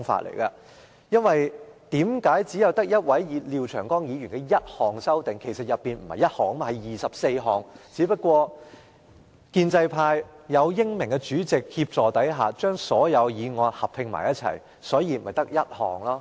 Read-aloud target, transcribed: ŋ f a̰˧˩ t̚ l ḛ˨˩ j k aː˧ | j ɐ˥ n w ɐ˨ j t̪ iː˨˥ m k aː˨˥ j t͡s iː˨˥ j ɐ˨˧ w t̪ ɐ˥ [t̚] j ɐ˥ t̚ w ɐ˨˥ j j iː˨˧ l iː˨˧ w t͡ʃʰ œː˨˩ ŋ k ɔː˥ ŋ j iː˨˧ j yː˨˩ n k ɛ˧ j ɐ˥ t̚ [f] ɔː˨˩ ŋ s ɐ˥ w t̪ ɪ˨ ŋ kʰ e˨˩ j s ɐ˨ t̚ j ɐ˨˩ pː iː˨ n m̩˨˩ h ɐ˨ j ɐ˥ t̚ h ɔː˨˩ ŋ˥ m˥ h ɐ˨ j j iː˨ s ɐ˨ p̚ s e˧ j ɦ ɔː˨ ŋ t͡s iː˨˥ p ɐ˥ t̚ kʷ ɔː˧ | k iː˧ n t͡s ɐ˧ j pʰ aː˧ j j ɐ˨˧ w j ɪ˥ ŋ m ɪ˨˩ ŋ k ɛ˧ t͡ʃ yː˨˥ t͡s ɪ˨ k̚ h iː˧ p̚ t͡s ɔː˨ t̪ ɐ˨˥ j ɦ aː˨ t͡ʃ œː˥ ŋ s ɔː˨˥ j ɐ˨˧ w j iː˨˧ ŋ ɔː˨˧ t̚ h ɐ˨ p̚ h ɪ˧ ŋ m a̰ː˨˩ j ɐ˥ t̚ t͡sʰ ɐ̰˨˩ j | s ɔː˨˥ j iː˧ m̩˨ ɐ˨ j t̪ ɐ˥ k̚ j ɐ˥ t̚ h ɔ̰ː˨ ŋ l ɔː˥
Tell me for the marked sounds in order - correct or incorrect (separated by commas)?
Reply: incorrect, incorrect